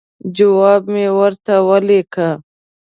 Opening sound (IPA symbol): d͡ʒ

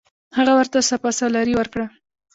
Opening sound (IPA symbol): h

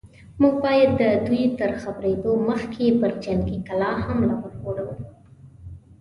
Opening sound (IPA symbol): m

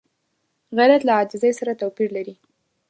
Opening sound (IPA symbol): ɣ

